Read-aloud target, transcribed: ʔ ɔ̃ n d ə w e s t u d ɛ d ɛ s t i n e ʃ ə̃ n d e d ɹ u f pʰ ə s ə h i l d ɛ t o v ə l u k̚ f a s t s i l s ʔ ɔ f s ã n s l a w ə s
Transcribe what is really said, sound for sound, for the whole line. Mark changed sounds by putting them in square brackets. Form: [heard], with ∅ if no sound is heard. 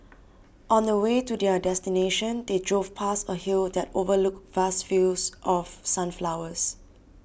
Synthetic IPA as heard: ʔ ɔ̃ n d ə w e [∅] t u d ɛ d ɛ s t i n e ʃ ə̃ n d e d ɹ [o] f pʰ [a] s ə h i l d ɛ t o v ə l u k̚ [v] a s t [f] i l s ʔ ɔ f s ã n [f] l a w ə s